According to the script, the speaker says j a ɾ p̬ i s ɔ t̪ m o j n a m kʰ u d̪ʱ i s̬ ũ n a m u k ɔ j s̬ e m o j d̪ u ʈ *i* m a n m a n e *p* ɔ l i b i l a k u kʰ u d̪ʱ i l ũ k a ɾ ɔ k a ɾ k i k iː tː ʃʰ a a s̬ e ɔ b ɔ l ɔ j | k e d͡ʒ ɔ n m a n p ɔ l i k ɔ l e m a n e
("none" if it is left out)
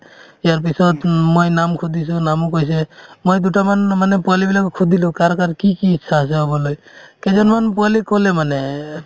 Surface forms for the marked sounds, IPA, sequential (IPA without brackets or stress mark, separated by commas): a, p